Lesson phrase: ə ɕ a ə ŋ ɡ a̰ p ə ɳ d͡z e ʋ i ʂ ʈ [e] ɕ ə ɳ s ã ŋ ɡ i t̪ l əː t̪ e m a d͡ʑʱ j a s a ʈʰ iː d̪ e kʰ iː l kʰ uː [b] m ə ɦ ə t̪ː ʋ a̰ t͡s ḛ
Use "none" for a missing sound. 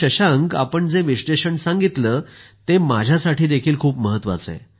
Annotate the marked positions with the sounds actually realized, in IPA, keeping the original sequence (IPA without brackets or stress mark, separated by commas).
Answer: e, p